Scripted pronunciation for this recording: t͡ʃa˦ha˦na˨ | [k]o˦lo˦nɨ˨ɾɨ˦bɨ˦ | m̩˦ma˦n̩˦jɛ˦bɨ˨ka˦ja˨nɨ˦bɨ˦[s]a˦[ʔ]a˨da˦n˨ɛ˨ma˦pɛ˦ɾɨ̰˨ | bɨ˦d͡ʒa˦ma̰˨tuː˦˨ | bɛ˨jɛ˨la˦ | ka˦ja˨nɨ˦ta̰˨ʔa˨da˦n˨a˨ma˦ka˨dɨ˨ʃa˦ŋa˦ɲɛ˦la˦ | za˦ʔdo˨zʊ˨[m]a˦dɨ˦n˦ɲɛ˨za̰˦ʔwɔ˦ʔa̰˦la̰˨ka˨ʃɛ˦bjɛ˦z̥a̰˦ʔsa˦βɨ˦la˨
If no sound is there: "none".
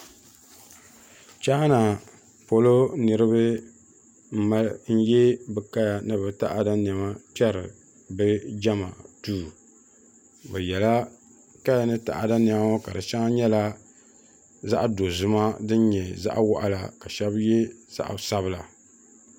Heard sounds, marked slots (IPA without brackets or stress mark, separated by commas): p, t, ʔ, m